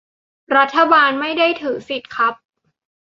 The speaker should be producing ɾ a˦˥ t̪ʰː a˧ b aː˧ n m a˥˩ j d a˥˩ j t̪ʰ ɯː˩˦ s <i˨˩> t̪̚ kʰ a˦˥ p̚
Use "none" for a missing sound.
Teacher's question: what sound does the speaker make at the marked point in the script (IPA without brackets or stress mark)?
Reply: i˨˩